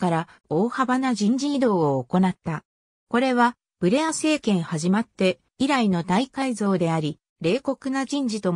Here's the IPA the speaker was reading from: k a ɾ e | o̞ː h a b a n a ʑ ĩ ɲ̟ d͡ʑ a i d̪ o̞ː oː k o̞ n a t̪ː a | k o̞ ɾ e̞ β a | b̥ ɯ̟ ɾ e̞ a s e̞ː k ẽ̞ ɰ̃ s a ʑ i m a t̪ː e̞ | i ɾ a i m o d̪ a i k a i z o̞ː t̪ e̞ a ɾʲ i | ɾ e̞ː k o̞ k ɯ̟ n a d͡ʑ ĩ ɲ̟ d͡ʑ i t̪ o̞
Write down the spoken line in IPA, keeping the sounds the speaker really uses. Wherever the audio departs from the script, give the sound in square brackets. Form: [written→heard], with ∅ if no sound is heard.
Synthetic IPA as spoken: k a ɾ [e→a] | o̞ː h a b a n a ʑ ĩ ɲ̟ d͡ʑ [a→i] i d̪ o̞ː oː k o̞ n a t̪ː a | k o̞ ɾ e̞ β a | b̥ ɯ̟ ɾ e̞ a s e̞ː k ẽ̞ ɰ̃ [s→h] a ʑ i m a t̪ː e̞ | i ɾ a i [m→n] o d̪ a i k a i z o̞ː [t̪→d̪] e̞ a ɾʲ i | ɾ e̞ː k o̞ k ɯ̟ n a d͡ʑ ĩ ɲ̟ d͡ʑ i t̪ o̞